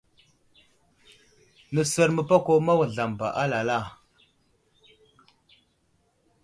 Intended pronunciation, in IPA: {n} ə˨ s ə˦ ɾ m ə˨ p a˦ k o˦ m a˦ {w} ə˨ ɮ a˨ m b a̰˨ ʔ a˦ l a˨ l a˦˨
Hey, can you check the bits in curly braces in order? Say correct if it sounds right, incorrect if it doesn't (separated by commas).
correct, correct